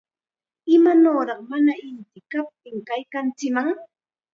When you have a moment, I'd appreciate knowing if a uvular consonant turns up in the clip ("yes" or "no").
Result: yes